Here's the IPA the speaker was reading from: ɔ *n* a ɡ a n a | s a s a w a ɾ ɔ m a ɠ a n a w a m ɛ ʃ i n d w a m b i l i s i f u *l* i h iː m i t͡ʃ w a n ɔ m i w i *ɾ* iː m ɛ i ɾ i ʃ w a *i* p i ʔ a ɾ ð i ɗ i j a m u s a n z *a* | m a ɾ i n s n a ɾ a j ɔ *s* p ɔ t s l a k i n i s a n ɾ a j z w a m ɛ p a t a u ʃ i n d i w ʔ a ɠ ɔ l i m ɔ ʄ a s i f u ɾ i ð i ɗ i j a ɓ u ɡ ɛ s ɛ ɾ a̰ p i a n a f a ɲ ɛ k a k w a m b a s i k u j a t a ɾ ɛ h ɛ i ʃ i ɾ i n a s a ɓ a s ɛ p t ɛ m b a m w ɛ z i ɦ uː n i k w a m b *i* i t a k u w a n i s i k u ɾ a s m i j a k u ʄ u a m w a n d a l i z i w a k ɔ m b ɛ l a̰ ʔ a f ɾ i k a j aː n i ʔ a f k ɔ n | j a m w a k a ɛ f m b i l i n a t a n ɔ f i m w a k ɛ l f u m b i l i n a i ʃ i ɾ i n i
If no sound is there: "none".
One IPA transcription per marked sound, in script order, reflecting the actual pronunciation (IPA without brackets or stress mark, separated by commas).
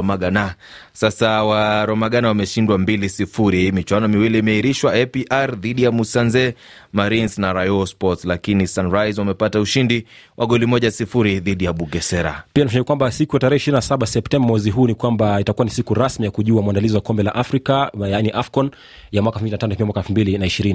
m, ɾ, l, ɛ, ɛ, s, a